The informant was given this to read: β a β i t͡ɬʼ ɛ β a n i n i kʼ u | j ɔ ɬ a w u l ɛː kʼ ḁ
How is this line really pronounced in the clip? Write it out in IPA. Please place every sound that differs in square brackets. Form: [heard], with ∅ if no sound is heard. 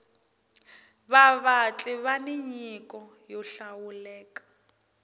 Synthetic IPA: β a β [a] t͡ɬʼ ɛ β a n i [ɲ] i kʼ [ɔ] | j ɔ ɬ a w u l ɛː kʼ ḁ